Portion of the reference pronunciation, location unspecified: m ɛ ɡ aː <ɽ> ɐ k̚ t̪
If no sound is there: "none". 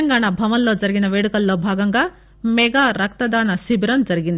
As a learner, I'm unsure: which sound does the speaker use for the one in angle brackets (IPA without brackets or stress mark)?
ɾ